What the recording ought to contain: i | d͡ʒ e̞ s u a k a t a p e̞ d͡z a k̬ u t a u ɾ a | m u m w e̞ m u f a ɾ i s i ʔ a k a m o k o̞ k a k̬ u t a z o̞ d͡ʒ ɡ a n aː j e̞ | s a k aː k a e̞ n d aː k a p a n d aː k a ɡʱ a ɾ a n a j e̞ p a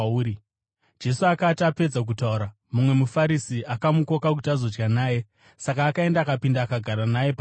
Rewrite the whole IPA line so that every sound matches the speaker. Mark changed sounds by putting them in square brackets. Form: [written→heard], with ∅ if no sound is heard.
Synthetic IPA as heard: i | d͡ʒ e̞ s u a k a t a p e̞ d͡z a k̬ u t a u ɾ a | m u m w e̞ m u f a ɾ i s i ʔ a k a m [o→u] k o̞ k a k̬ u t a z o̞ d͡ʒ ɡ a n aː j e̞ | s a k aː k a e̞ n d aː k a p [a→i] n d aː k a ɡʱ a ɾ a n a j e̞ p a

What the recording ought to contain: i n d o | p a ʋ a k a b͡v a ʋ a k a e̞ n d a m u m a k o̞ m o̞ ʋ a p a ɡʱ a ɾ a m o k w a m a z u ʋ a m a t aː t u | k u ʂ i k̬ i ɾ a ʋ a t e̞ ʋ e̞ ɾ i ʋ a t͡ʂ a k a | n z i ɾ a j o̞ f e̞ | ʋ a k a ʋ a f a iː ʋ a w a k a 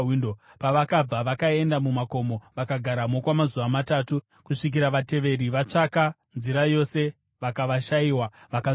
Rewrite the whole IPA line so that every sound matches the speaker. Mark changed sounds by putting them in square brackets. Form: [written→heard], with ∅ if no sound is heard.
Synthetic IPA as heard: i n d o | p a ʋ a k a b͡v a ʋ a k a e̞ n d a m u m a k o̞ m o̞ ʋ a [p→k] a ɡʱ a ɾ a m o k w a m a z u ʋ a m a t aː t u | k u ʂ i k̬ i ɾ a ʋ a t e̞ ʋ e̞ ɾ i ʋ a t͡ʂ a k a | n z i ɾ a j o̞ [f→s] e̞ | ʋ a k a ʋ a [f→ʃ] a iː [ʋ→w] a [w→ʋ] a k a

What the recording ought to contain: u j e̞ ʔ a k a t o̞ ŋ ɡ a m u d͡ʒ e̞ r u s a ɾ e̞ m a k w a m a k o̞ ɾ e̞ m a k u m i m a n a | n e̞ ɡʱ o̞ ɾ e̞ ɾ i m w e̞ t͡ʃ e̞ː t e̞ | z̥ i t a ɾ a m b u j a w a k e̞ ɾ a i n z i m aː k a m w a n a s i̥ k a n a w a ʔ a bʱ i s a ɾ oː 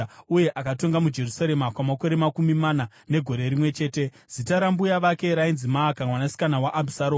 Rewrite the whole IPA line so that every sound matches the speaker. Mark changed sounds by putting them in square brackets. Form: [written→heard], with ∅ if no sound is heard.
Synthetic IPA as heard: u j e̞ ʔ a k a t o̞ ŋ ɡ a m u d͡ʒ e̞ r u s a ɾ e̞ m a k w a m a k o̞ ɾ e̞ m a k u m i m a n a | n e̞ ɡʱ o̞ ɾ e̞ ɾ i m w e̞ t͡ʃ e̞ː t e̞ | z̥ i t a ɾ a m b u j a [w→ʋ] a k e̞ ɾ a i n z i m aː k a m w a n a s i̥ k a n a w a ʔ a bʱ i s a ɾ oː

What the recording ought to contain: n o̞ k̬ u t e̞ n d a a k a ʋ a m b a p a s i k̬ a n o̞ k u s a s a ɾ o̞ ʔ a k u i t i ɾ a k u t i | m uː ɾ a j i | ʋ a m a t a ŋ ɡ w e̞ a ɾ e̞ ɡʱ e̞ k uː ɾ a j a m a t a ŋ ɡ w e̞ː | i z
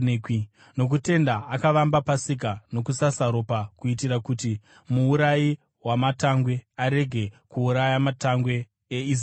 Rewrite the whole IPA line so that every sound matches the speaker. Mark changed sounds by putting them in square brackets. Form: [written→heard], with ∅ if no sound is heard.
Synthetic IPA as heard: n o̞ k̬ u t e̞ n d a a k a ʋ a m b a p a s i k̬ a n o̞ k u s a s a ɾ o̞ [ʔ→p] a k u i t i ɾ a k u t i | m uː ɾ a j i | [ʋ→w] a m a t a ŋ ɡ w e̞ a ɾ e̞ ɡʱ e̞ k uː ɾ a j a m a t a ŋ ɡ w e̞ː | i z

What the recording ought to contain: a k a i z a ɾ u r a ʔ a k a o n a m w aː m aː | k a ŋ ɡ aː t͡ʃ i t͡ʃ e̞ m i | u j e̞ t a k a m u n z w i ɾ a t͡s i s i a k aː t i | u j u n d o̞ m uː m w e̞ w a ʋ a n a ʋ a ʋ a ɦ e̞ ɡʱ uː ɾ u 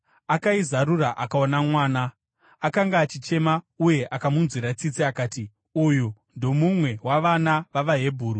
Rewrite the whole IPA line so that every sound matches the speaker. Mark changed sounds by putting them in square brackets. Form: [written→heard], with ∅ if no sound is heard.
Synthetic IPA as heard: a k a i z a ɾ u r a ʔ a k a o n a m w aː [m→n] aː | k a ŋ ɡ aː t͡ʃ i t͡ʃ e̞ m [i→a] | u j e̞ [t→ʔ] a k a m u n z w i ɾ a t͡s i [s→t͡s] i a k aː t i | u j u n d o̞ m [uː→u] m w e̞ w a ʋ a n a ʋ a ʋ a ɦ e̞ [ɡʱ→bʱ] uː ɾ u

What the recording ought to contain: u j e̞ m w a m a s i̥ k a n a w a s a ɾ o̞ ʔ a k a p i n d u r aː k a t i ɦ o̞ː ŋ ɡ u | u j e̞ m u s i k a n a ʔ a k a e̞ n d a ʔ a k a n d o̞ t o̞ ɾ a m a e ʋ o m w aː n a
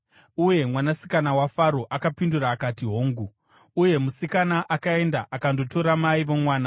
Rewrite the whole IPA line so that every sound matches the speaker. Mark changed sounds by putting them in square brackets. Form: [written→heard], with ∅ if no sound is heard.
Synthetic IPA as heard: u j e̞ m w a [m→n] a s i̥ k a n a w a [s→f] a ɾ o̞ ʔ a k a p i n d u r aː k a t i ɦ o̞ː ŋ ɡ u | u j e̞ m u s i k a n a ʔ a k a e̞ n d a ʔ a k a n d o̞ t o̞ ɾ a m a [e→i] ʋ o m w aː n a

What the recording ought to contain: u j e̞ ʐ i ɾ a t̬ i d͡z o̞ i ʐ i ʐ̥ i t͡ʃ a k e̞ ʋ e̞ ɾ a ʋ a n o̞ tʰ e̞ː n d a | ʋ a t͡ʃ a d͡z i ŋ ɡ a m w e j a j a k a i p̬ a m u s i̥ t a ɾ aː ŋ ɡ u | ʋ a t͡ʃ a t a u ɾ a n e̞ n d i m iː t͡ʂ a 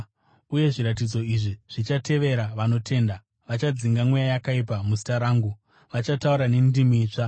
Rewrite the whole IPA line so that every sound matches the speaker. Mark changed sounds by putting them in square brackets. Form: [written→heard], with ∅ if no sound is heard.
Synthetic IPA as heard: u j e̞ ʐ i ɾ a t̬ i d͡z o̞ i ʐ i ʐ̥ i t͡ʃ a [k→t] e̞ ʋ e̞ ɾ a ʋ a n o̞ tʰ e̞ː n d a | ʋ a t͡ʃ a d͡z i ŋ ɡ a m w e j a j a k a i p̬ a m u s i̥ t a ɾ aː ŋ ɡ u | ʋ a t͡ʃ a t a u ɾ a n e̞ n d i m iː t͡ʂ a

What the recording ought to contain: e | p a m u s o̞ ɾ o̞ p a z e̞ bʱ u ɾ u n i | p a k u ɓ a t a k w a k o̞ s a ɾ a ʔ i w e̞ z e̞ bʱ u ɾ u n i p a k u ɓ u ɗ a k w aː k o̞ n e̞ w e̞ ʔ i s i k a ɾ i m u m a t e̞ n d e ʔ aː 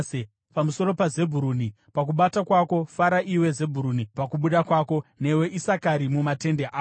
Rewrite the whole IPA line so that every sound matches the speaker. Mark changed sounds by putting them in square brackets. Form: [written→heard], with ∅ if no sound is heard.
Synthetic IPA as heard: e | p a m u s o̞ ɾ o̞ p a z e̞ bʱ u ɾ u n i | p a k u ɓ a t a k w a k o̞ [s→f] a ɾ a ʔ i w e̞ z e̞ bʱ u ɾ u n i p a k u ɓ u ɗ a k w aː k o̞ n e̞ w e̞ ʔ i s [i→a] k a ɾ i m u m a t e̞ n d e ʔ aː

